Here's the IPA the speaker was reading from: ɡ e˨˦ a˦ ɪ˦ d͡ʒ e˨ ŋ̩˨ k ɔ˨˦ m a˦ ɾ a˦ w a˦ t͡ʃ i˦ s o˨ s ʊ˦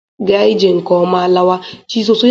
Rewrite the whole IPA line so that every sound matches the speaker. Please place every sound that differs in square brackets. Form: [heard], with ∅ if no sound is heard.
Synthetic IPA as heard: ɡ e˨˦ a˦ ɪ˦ d͡ʒ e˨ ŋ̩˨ k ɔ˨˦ m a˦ [l] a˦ w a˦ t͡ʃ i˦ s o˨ s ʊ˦

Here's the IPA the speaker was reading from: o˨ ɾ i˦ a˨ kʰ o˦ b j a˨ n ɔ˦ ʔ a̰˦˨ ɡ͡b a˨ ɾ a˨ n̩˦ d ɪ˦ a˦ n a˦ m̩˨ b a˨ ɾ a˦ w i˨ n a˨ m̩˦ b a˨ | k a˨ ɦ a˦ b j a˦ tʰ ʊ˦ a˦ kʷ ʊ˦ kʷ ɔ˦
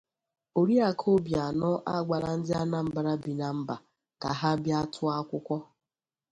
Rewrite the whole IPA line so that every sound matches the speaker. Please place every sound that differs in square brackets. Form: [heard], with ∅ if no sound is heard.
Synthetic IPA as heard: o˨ ɾ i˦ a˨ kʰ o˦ b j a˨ n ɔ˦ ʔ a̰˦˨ ɡ͡b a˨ ɾ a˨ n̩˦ d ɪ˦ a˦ n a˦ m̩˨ b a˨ ɾ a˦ [b] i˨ n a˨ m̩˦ b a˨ | k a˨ ɦ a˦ b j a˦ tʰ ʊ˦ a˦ kʷ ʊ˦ kʷ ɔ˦

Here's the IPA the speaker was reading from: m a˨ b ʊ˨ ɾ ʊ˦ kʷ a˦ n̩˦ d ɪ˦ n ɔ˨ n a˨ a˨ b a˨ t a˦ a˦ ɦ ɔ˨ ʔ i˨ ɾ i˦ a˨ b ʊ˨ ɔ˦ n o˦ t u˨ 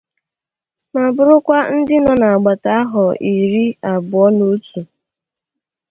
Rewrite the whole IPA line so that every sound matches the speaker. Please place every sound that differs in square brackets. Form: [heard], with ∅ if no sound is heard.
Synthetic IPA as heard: m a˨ b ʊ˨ ɾ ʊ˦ kʷ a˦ n̩˦ d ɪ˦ n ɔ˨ n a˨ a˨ [ɡ͡b] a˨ t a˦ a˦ ɦ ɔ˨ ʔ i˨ ɾ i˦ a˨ b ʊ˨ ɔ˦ n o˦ t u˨

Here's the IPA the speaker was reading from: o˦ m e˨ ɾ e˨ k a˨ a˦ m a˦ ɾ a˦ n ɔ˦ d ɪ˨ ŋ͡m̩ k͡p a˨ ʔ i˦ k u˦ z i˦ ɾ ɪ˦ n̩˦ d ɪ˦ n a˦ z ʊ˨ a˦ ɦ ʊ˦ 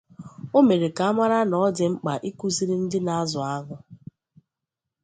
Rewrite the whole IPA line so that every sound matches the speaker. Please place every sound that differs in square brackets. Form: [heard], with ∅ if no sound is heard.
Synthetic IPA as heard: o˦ m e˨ ɾ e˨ k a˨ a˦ m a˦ ɾ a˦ n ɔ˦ d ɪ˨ ŋ͡m̩ k͡p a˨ ʔ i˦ k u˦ z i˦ ɾ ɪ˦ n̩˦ d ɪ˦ n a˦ z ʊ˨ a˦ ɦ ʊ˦

